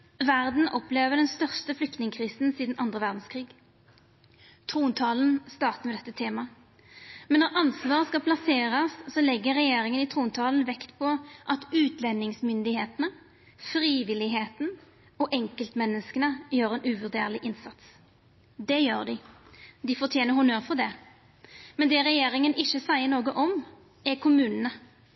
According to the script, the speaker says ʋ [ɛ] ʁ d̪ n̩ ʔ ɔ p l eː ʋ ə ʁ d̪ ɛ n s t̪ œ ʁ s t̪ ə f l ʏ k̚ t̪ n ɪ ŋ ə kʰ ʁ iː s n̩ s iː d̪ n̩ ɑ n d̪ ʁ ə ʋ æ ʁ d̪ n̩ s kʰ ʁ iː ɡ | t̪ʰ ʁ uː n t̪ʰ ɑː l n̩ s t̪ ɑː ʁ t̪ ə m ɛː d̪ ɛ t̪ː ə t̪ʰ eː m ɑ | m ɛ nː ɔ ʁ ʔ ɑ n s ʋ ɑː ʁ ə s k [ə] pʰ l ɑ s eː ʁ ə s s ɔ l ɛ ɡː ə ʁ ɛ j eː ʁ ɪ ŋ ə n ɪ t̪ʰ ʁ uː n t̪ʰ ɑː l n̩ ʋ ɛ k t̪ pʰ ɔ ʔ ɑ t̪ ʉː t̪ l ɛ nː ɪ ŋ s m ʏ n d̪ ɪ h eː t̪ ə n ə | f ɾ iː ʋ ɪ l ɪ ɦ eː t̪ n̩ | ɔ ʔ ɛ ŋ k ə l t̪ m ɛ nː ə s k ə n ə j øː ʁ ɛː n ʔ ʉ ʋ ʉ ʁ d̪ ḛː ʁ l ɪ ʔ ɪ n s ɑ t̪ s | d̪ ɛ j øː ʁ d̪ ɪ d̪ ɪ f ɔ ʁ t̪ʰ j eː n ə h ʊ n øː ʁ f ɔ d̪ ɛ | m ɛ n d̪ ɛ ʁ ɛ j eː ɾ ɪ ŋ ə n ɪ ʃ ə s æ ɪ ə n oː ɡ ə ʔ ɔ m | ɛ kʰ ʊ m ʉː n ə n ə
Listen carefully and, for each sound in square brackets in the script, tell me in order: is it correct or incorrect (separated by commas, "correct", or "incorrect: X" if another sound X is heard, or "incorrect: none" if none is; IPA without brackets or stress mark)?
incorrect: æ, incorrect: ɑ